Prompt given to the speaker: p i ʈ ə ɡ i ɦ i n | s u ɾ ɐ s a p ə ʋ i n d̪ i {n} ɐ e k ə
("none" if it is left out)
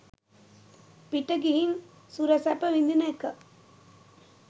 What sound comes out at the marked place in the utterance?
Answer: n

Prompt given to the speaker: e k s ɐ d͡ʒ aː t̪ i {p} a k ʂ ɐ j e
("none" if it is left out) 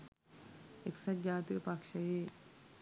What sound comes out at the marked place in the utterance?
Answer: p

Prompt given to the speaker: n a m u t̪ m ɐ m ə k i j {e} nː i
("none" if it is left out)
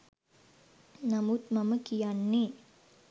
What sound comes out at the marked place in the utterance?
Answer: a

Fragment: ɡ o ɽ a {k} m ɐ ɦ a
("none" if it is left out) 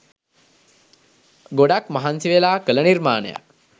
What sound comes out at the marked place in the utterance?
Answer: k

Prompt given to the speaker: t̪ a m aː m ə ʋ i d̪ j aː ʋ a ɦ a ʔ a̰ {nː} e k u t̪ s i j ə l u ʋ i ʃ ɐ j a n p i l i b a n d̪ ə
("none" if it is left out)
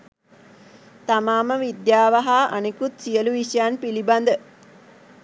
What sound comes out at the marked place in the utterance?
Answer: n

